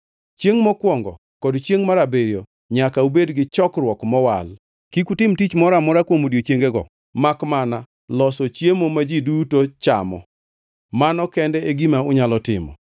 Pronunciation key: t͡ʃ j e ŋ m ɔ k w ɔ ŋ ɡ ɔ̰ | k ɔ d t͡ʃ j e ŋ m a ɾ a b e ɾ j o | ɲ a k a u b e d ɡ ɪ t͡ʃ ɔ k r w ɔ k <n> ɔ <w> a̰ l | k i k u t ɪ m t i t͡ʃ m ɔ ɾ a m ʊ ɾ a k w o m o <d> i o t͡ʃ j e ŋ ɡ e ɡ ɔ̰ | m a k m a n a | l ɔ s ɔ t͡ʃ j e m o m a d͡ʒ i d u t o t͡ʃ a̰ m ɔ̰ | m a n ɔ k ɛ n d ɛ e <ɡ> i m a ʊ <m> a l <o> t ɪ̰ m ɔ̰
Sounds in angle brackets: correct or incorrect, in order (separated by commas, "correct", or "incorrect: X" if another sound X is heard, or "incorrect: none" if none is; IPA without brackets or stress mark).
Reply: incorrect: m, correct, correct, correct, incorrect: ɲ, incorrect: ɔ